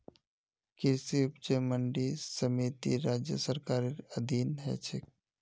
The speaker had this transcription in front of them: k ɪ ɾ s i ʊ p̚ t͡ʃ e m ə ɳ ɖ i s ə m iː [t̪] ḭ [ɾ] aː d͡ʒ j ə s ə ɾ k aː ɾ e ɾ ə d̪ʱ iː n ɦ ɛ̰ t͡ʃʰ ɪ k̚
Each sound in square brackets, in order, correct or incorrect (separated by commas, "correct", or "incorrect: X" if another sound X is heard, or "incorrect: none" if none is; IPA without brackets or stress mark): correct, correct